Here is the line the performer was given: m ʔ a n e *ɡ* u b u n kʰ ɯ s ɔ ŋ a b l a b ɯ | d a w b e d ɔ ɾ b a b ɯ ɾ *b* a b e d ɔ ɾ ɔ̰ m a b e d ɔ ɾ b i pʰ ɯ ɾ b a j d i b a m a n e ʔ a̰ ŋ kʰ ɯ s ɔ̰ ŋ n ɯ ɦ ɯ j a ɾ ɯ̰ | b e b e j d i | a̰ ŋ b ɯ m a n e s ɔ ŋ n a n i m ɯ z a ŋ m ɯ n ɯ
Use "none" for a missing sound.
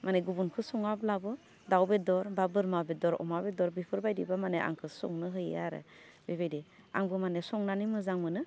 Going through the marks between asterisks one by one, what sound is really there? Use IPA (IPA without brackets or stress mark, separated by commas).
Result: ɡ, m